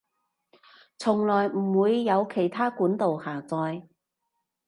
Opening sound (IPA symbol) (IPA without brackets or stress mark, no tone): t͡sʰ